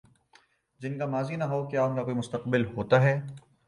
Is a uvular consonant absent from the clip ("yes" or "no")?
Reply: no